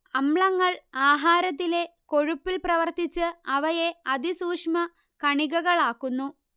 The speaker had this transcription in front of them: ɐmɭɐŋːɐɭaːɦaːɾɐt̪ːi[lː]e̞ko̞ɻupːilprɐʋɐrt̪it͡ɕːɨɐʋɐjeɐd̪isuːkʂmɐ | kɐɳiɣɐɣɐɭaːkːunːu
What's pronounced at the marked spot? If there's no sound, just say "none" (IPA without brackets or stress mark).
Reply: l